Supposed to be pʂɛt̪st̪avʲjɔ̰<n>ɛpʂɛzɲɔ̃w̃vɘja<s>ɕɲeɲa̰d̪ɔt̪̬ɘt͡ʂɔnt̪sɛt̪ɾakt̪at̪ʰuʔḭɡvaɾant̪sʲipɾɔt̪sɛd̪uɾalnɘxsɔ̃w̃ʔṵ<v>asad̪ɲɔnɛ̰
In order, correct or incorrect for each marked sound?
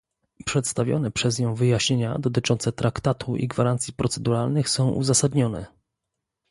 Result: correct, incorrect, incorrect

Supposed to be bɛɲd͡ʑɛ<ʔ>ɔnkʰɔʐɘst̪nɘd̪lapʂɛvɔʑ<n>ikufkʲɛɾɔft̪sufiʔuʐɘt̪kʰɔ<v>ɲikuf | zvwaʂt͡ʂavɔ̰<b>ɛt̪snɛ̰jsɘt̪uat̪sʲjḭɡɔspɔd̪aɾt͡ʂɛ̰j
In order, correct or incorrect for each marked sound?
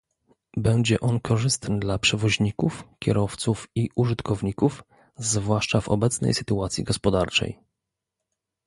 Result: correct, incorrect, correct, correct

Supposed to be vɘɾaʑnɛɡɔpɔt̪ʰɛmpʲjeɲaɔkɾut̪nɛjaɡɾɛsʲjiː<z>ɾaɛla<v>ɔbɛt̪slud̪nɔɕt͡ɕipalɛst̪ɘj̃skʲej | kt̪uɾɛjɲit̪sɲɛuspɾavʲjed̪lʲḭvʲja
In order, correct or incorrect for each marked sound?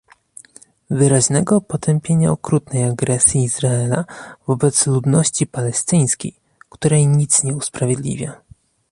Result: correct, correct

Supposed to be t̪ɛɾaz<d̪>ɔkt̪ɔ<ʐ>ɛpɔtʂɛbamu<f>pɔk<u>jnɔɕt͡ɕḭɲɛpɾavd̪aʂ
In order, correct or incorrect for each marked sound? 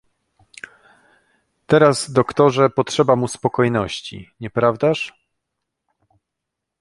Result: correct, correct, incorrect, incorrect

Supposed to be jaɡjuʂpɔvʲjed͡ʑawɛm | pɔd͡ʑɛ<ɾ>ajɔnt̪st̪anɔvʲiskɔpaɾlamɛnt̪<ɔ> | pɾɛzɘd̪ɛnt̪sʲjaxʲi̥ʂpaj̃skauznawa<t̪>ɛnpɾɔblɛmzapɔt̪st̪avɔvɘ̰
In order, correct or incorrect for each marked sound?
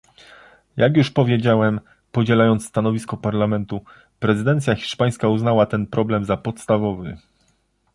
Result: incorrect, incorrect, correct

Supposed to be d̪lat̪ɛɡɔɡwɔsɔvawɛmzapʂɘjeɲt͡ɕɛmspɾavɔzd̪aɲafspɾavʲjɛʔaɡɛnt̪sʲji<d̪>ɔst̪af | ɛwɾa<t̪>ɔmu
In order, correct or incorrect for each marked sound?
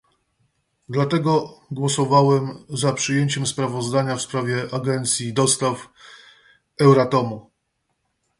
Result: correct, correct

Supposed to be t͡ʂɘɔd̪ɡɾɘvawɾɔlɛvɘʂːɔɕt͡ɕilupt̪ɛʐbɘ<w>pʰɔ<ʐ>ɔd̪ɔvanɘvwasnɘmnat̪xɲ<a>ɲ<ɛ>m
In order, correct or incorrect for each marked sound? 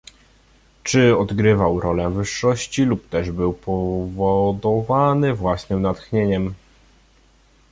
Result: correct, incorrect, incorrect, correct

